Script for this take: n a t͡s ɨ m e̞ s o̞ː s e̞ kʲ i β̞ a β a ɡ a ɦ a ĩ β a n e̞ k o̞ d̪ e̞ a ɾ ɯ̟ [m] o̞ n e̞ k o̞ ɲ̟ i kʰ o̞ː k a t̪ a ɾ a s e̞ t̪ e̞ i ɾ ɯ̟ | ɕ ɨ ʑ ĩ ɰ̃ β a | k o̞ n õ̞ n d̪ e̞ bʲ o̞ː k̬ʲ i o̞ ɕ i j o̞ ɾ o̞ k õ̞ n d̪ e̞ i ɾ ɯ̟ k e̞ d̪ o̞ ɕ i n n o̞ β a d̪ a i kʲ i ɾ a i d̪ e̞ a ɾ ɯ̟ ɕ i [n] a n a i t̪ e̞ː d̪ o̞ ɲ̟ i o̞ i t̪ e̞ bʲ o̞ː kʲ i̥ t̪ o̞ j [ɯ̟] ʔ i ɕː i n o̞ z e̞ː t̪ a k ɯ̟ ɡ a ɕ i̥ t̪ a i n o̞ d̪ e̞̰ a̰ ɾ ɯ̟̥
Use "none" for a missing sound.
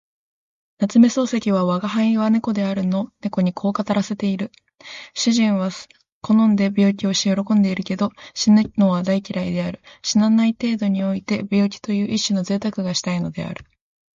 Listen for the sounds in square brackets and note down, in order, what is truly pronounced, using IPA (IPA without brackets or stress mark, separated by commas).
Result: n, n, ɯ̟ː